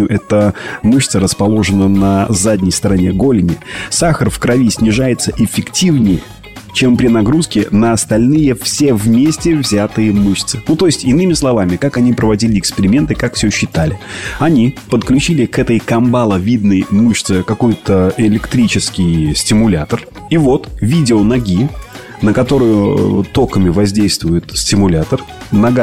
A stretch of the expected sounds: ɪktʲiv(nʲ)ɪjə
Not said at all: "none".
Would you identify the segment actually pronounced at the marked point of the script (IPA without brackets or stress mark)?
nʲ